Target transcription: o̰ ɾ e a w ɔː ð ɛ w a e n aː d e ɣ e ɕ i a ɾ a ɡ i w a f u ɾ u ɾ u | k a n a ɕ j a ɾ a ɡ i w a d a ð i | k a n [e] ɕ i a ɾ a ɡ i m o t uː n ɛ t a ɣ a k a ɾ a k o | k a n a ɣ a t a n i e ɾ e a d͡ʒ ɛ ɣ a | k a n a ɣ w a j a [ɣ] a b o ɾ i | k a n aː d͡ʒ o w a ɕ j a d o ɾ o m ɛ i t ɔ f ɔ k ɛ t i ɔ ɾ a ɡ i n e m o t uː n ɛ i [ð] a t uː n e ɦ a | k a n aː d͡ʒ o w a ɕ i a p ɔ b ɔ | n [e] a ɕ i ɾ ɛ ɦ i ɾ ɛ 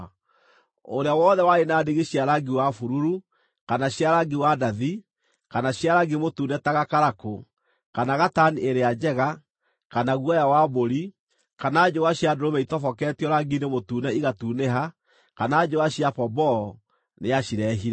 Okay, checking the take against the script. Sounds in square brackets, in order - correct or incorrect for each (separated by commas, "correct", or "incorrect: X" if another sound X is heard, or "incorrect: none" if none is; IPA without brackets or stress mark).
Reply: incorrect: a, incorrect: w, incorrect: ɣ, correct